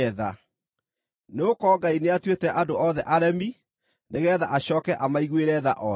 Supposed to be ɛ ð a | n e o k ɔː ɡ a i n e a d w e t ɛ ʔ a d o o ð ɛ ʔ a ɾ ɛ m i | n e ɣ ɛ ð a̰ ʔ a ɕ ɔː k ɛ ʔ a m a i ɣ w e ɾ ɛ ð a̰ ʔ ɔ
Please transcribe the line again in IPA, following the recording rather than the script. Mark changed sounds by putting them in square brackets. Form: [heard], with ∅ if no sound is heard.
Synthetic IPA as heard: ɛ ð a | n e o k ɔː ɡ a i n e a [t] w e t ɛ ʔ a d o [ɔ] ð ɛ ʔ a ɾ ɛ m i | n e ɣ ɛ ð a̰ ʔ a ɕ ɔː k ɛ ʔ a m a i ɣ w e ɾ ɛ ð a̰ ʔ ɔ